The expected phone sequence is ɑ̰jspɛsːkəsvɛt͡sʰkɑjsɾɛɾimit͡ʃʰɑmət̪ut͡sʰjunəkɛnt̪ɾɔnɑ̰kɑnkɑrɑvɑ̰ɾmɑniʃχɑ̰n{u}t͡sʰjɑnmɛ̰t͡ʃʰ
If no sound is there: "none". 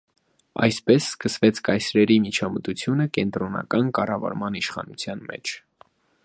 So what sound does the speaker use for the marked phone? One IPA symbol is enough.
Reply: u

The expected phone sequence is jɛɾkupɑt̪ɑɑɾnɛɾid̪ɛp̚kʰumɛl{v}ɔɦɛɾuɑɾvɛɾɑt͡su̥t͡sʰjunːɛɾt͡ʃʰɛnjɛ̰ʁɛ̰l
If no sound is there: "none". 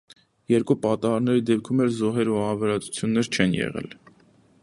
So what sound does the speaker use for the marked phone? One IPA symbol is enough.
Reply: z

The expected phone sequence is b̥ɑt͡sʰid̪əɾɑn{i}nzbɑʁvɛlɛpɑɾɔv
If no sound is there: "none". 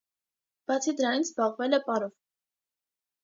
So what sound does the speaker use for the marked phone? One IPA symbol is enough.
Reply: i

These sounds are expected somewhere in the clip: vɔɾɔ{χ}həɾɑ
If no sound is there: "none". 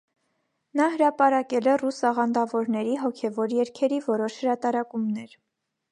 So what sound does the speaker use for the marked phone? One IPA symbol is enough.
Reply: ʃ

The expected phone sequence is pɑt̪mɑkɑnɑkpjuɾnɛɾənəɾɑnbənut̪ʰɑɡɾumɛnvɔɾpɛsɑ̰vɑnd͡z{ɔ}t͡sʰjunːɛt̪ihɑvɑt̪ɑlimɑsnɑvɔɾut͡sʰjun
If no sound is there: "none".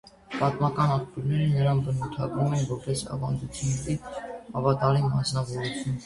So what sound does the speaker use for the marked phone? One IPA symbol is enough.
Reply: u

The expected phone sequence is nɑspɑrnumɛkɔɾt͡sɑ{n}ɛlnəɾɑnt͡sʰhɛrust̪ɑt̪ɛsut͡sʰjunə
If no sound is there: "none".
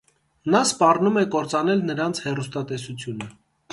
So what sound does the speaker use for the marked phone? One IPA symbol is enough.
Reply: n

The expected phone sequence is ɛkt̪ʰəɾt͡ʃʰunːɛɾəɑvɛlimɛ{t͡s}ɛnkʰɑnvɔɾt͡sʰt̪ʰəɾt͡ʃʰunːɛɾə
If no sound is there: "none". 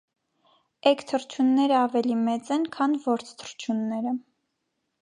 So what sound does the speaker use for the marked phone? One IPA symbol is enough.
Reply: t͡s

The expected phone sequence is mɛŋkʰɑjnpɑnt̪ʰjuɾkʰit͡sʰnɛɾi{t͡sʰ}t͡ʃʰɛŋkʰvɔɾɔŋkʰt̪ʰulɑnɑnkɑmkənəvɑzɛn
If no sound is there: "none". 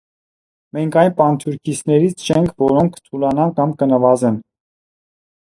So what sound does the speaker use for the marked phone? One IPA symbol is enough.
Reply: t͡sʰ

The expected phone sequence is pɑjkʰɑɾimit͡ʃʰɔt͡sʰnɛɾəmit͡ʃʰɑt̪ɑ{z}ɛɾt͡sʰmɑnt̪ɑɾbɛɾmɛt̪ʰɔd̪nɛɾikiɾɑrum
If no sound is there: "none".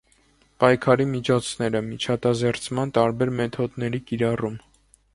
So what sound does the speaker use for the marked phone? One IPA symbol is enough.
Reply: z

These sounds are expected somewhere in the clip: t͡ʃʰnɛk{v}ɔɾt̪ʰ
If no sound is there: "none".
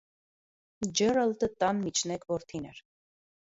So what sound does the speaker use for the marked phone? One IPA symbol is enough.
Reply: v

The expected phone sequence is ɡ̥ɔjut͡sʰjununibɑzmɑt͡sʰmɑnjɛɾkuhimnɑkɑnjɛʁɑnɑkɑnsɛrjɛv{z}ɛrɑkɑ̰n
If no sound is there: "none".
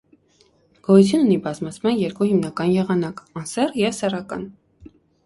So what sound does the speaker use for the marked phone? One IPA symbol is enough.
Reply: s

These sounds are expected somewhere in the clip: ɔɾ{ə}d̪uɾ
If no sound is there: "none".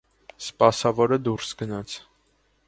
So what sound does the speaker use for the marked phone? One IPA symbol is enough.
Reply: ə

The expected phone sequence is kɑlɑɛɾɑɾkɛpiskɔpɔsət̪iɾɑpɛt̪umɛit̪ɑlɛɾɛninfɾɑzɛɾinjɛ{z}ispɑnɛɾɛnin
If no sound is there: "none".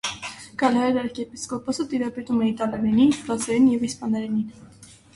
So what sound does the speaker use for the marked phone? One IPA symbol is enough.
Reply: v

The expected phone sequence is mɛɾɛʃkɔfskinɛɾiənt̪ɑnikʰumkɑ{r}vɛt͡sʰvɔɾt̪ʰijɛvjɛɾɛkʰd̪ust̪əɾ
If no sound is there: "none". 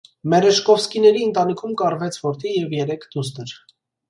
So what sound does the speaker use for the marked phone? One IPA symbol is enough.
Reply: r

